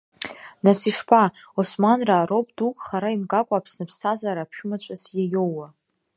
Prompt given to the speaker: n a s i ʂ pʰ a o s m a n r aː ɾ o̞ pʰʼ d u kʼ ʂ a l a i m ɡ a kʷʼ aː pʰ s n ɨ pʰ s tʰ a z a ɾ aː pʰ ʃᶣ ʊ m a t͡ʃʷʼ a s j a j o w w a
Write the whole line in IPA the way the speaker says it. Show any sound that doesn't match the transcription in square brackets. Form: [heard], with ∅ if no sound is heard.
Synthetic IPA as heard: n a s i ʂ pʰ a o s m a n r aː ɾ o̞ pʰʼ d u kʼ [χ] a [ɾ] a i m ɡ a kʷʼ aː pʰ s n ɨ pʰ s tʰ a z a ɾ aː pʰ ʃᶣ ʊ m a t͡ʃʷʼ a s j a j o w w a